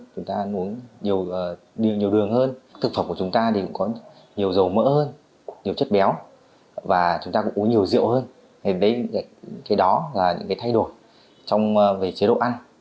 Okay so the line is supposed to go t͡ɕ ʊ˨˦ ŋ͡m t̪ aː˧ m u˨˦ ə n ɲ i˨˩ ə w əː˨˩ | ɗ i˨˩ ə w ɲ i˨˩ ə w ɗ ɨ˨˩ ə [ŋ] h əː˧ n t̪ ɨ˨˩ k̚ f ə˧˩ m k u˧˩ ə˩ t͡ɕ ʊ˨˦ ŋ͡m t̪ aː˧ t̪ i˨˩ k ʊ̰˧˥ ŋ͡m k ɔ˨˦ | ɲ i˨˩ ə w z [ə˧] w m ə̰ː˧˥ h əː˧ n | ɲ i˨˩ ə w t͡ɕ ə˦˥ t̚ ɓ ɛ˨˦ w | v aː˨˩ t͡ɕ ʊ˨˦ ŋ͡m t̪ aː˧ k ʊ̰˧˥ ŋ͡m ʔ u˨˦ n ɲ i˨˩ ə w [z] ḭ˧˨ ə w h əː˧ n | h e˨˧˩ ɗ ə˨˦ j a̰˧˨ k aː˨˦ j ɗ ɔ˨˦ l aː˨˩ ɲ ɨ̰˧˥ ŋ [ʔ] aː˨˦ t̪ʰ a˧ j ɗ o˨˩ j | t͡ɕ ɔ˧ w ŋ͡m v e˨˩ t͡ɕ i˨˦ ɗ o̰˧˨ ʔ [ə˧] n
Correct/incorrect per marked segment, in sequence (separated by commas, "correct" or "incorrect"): correct, incorrect, correct, incorrect, incorrect